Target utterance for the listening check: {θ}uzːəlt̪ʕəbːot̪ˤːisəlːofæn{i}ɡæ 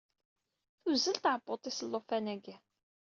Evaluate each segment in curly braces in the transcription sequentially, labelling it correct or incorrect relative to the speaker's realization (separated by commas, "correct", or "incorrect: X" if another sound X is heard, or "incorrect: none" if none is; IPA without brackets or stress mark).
correct, incorrect: æ